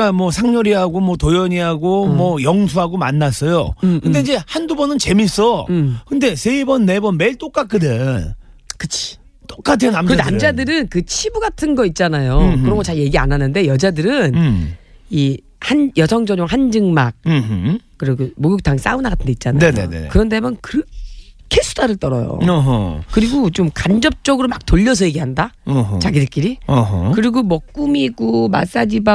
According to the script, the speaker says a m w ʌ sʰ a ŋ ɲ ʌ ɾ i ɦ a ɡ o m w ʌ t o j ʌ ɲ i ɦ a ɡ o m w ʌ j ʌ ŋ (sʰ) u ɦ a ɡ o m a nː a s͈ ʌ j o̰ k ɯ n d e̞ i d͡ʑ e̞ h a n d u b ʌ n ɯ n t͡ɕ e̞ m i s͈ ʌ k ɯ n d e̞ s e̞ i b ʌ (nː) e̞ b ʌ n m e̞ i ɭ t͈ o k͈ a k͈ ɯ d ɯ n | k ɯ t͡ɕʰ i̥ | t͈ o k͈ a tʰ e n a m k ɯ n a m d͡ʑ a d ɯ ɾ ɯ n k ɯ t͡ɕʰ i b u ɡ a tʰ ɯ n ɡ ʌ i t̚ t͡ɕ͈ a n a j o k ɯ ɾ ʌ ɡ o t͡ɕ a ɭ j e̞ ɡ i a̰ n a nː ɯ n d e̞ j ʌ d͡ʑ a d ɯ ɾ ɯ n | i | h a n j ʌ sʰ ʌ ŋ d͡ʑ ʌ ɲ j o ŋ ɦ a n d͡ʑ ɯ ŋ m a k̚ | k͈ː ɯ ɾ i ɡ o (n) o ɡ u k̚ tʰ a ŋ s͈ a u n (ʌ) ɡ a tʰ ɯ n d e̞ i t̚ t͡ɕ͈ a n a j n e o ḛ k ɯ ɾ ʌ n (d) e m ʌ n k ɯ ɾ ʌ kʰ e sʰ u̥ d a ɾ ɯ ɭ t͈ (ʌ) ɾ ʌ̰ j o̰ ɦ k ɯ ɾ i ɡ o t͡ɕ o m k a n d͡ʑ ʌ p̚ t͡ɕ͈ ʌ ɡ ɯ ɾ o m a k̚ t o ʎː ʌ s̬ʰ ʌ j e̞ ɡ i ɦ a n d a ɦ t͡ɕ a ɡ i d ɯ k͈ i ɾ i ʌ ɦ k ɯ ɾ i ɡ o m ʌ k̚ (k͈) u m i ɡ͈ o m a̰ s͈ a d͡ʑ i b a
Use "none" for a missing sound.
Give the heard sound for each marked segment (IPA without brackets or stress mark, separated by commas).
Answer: sʰ, nː, m, a, d, ʌ, k͈